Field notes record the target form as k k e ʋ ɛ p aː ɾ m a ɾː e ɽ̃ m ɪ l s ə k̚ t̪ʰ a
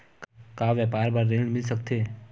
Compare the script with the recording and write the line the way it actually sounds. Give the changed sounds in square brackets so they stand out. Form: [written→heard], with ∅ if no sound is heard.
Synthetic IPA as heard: k k [e→a] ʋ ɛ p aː ɾ [m→b] a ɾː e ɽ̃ m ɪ l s ə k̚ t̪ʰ [a→e]